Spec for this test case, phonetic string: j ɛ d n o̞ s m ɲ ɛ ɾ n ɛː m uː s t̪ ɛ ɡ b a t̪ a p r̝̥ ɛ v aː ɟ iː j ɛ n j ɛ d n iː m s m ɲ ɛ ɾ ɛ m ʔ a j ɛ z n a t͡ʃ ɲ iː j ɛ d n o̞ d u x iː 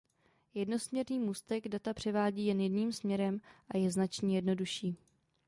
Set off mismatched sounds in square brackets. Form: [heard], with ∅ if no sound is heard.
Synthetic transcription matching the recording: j ɛ d n o̞ s m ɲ ɛ ɾ n [iː] m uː s t̪ ɛ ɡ [d] a t̪ a p r̝̥ ɛ v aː ɟ iː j ɛ n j ɛ d n iː m s m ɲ ɛ ɾ ɛ m ʔ a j ɛ z n a t͡ʃ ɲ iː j ɛ d n o̞ d u [ʃ] iː